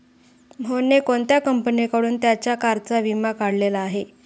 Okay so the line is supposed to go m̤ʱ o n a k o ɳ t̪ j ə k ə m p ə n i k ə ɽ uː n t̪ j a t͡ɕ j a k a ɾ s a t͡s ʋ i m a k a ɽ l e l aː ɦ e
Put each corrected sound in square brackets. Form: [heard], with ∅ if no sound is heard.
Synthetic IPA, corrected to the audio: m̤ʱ o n [e] k o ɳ t̪ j [a] k ə m p ə n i k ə ɽ uː n t̪ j a t͡ɕ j a k a ɾ [t͡s] a [∅] ʋ i m a k a ɽ l e l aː ɦ e